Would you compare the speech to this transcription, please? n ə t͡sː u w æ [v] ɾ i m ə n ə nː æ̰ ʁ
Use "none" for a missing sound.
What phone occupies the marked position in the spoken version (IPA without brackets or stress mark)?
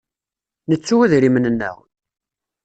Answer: ð